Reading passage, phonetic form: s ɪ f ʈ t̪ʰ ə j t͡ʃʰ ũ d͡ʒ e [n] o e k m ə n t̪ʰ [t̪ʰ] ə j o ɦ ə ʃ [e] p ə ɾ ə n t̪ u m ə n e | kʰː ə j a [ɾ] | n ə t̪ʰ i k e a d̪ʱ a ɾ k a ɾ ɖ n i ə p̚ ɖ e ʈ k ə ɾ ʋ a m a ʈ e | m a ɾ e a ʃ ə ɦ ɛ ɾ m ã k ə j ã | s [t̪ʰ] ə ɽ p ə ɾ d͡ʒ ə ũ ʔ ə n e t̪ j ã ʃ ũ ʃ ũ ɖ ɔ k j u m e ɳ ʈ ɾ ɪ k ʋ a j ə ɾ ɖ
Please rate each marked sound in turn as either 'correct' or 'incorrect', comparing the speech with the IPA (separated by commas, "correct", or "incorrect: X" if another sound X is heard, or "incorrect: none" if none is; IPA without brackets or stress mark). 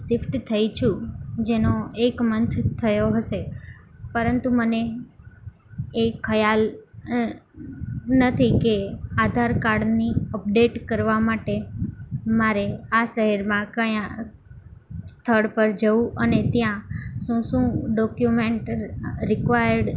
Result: correct, correct, correct, incorrect: l, correct